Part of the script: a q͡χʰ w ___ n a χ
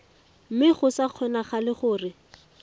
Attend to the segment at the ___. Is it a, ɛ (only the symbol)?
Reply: ɛ